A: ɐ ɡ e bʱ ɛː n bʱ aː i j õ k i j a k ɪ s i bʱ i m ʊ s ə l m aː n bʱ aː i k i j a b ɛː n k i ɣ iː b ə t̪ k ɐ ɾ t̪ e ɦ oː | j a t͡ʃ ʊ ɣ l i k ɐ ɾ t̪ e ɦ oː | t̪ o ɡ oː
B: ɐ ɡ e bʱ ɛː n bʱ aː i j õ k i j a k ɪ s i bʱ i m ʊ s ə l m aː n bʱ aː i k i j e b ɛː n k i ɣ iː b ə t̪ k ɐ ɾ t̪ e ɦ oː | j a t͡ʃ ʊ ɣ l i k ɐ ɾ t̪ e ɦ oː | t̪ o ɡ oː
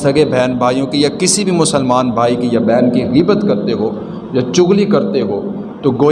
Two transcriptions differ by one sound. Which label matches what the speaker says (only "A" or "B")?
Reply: A